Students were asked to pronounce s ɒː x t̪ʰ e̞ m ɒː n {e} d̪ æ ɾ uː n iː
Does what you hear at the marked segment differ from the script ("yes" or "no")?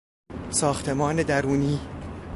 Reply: no